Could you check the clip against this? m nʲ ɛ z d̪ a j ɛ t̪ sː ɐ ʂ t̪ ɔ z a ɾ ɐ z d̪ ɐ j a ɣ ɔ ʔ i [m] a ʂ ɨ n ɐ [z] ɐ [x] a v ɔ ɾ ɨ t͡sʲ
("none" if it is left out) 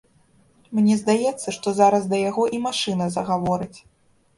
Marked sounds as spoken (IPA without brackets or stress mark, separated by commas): m, z, ɣ